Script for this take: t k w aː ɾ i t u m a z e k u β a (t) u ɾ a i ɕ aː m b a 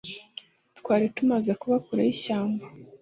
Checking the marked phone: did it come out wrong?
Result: yes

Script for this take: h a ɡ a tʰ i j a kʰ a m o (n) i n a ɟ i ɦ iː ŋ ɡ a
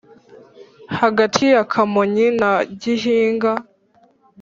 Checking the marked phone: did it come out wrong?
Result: yes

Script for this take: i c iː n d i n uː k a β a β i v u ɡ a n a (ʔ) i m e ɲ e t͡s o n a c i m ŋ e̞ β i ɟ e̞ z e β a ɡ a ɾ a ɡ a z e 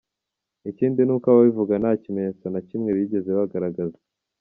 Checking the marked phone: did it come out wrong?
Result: yes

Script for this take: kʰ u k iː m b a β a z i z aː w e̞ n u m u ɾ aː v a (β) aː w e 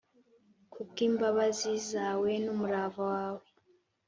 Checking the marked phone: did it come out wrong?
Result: yes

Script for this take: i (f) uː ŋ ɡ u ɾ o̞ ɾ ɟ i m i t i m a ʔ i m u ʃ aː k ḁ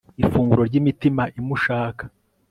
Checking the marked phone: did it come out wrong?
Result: no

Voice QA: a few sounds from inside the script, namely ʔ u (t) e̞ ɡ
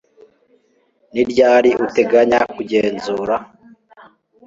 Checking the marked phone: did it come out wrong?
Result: no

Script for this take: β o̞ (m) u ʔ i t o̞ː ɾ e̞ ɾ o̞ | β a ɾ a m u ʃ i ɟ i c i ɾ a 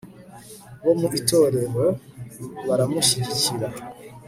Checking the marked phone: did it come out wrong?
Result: no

